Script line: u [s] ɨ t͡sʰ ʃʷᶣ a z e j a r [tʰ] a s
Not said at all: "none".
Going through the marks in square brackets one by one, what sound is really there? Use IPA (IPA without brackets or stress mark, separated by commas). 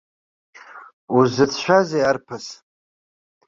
z, pʰ